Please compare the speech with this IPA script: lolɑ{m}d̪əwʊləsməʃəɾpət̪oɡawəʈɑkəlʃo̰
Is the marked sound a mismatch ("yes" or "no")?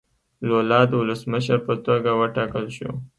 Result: yes